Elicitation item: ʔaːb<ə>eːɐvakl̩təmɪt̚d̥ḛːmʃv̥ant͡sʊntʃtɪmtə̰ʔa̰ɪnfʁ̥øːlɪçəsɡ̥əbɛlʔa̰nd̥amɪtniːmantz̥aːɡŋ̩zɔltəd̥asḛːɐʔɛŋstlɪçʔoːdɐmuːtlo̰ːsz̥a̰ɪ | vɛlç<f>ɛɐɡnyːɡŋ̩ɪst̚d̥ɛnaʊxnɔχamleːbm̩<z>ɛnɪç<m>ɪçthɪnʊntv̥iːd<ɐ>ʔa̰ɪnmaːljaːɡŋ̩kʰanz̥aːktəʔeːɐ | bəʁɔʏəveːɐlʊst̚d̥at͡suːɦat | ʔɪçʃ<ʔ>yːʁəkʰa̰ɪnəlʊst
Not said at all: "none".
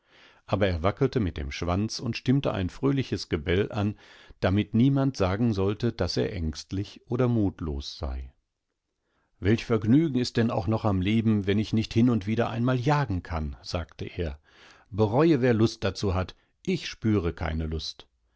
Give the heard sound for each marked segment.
ɐ, f, v, n, ɐ, p

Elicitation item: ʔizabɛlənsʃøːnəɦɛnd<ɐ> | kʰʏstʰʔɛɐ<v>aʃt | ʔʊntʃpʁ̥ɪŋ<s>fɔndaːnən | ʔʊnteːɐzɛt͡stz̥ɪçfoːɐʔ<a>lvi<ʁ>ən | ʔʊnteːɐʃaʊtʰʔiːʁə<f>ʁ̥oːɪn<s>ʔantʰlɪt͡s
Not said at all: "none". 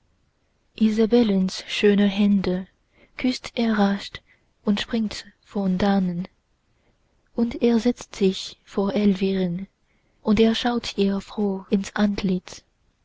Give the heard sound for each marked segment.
ə, ʁ, t, ɛ, ʁ, f, s

